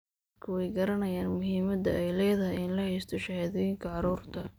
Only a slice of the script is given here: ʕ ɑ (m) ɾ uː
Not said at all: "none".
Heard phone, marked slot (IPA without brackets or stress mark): none